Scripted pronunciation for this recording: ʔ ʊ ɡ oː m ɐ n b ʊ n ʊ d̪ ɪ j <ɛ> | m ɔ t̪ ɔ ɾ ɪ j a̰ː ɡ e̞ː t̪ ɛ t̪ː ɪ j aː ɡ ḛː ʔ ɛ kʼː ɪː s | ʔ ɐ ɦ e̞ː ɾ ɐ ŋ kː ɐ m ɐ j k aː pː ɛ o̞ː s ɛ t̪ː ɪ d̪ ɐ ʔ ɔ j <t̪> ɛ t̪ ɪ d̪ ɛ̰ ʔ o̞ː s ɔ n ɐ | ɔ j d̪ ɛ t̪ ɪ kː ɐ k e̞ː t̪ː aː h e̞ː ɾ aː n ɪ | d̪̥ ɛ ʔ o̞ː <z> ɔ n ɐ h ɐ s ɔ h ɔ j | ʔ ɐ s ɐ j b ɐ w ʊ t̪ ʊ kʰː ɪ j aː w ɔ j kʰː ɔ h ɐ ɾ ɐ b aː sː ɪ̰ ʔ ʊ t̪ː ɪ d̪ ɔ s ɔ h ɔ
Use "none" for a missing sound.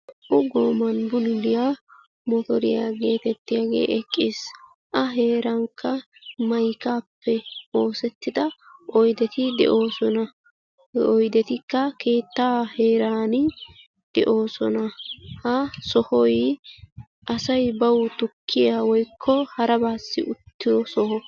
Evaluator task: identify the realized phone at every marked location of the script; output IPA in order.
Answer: a, d̪, s

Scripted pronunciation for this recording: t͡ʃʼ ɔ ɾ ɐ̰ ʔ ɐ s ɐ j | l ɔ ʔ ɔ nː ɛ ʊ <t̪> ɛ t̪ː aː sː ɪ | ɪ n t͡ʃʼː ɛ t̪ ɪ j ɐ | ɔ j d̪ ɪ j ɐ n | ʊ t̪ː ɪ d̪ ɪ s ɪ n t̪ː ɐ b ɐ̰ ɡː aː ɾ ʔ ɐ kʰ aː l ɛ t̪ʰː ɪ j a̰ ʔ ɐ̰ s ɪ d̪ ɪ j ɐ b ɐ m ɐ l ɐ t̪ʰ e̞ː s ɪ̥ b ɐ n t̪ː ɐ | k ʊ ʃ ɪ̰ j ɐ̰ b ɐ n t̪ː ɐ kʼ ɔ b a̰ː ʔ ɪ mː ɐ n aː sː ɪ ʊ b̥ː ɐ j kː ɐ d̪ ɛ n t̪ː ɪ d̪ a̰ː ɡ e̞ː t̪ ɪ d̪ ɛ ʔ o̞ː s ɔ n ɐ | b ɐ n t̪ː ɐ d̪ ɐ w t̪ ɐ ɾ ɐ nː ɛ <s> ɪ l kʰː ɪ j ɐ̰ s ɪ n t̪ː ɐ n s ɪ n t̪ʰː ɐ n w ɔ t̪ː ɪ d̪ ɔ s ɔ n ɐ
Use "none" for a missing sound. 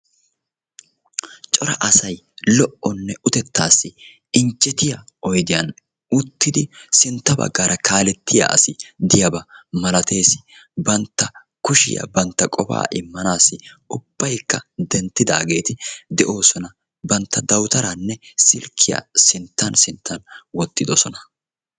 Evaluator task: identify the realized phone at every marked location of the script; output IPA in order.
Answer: t̪, s

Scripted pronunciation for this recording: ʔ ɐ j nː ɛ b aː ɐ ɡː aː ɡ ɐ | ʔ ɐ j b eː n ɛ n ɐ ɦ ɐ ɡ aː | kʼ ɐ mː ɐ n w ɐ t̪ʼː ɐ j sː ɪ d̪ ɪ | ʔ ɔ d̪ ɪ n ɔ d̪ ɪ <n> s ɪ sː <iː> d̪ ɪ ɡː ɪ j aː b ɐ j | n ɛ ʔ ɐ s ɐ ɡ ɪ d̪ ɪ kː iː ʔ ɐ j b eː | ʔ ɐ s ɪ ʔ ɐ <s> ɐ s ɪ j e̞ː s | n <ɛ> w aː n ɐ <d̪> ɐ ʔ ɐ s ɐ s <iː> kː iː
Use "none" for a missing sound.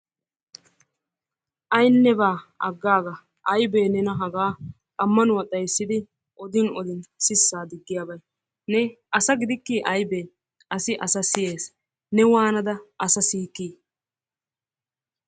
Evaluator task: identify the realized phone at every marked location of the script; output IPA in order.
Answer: n, aː, s, ɛ, d̪, iː

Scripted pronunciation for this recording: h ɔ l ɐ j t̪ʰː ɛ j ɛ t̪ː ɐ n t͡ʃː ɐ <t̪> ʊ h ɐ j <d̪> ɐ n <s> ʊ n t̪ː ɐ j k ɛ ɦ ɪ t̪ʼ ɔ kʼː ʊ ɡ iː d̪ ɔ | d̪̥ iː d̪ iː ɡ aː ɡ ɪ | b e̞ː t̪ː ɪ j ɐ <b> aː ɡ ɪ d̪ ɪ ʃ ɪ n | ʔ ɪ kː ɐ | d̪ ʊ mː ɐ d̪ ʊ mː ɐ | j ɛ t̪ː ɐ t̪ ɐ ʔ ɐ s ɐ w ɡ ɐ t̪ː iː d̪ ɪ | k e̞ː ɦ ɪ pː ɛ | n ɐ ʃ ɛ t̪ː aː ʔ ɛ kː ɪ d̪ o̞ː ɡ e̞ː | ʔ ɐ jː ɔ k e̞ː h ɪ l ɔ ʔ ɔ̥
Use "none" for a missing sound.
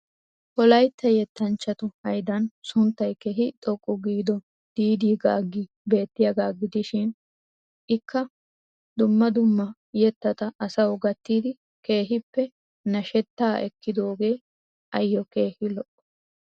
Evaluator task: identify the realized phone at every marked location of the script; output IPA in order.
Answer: t̪, d̪, s, ɡ

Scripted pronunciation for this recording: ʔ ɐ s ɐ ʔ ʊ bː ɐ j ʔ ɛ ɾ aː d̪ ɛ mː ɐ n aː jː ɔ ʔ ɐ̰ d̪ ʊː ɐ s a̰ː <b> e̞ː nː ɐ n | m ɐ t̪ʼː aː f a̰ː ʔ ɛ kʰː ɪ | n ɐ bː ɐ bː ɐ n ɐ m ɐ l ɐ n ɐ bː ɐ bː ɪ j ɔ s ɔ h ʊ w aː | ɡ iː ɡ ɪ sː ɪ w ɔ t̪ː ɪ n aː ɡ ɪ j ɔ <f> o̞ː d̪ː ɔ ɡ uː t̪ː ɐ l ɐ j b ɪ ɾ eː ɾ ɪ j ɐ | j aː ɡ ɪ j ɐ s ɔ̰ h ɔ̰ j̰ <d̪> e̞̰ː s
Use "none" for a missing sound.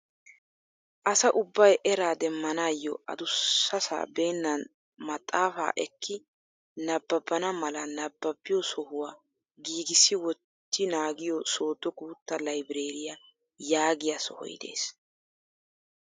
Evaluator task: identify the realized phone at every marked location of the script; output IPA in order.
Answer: b, s, d̪

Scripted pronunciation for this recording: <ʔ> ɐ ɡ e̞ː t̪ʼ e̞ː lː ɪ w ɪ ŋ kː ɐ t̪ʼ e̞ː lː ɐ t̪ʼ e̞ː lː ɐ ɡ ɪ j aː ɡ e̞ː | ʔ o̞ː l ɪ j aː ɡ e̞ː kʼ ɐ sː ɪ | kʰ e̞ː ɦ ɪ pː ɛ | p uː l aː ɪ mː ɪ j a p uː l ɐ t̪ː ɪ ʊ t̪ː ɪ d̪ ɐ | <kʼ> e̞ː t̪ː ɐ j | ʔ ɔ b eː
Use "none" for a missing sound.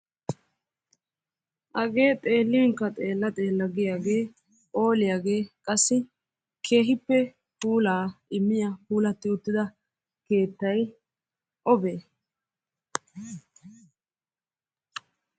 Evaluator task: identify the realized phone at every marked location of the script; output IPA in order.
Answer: ʔ, k

